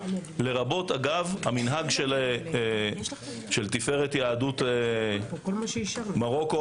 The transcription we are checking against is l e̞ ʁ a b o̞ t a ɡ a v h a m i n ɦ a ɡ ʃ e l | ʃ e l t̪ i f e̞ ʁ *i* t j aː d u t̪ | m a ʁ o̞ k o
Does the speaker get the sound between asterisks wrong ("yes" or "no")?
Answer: yes